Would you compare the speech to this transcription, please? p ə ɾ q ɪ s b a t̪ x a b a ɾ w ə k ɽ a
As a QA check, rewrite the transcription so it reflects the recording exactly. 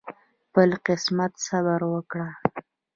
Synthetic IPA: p ə l q ɪ s m a t̪ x a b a ɾ w ə k ɽ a